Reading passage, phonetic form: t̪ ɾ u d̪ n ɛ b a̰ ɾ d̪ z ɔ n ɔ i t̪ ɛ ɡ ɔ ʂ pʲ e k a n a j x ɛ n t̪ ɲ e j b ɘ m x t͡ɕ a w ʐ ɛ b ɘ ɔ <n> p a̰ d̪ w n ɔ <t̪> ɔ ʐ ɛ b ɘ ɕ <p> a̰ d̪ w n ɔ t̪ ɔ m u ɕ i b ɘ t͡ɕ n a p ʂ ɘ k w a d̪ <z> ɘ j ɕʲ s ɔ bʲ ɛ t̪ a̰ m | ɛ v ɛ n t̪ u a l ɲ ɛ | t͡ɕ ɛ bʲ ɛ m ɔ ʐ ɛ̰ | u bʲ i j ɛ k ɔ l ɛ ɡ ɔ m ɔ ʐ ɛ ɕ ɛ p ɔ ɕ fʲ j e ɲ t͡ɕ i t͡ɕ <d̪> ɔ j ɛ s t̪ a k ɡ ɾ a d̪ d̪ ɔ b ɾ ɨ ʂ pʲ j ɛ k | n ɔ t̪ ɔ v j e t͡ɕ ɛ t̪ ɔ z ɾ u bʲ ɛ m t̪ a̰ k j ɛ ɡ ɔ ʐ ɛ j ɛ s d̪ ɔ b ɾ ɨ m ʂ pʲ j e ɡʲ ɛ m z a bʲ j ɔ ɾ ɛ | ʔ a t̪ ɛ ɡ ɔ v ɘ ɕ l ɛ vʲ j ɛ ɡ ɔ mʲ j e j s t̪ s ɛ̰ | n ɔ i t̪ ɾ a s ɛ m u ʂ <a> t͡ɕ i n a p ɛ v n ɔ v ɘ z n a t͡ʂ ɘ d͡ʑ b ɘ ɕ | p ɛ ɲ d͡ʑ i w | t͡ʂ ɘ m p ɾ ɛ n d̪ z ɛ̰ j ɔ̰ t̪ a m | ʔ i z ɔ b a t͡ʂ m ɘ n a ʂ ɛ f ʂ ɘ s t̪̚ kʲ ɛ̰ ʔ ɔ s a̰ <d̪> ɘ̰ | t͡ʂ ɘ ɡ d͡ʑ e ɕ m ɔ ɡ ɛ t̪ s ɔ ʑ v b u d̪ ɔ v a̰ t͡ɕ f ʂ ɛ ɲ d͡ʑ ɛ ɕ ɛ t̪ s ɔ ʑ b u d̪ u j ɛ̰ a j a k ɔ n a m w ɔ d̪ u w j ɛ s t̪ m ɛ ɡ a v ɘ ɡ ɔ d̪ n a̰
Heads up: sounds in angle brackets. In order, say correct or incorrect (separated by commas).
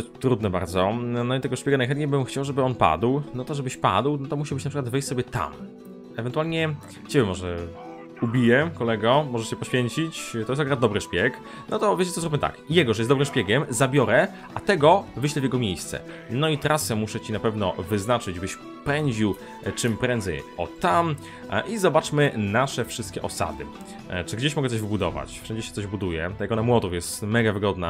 correct, correct, correct, incorrect, incorrect, incorrect, correct